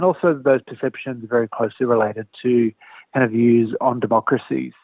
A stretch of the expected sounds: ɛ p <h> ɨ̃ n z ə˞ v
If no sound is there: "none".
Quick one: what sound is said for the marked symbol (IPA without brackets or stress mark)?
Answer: ʃ